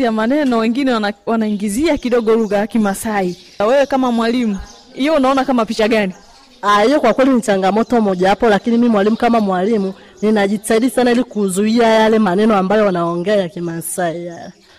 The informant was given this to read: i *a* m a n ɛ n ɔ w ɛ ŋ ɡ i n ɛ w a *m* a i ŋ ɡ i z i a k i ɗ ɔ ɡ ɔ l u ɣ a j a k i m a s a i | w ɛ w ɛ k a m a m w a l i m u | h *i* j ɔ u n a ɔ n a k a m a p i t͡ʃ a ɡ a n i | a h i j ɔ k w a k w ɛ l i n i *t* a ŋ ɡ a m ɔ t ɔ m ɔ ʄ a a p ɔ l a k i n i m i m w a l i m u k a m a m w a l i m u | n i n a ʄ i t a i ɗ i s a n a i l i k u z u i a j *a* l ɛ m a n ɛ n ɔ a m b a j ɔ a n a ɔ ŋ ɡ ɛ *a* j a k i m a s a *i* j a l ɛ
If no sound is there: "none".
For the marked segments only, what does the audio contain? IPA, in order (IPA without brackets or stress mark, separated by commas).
a, n, i, t͡ʃ, a, a, i